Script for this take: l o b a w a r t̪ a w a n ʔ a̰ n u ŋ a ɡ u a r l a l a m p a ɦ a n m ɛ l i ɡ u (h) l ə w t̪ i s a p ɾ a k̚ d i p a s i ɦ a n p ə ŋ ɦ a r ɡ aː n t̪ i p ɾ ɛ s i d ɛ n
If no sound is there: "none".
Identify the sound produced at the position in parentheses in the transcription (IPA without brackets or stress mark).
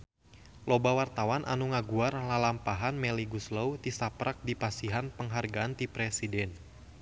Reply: s